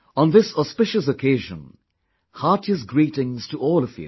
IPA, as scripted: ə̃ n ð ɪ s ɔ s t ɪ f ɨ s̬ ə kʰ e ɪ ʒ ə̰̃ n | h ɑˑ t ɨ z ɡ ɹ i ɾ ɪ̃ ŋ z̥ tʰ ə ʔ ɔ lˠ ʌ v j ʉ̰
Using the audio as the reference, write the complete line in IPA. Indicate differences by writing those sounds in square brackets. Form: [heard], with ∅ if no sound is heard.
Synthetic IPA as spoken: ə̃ n ð ɪ s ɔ s [p] ɪ [ʃ] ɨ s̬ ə kʰ e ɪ ʒ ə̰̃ n | h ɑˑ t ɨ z ɡ ɹ i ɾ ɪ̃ ŋ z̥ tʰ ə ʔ ɔ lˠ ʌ v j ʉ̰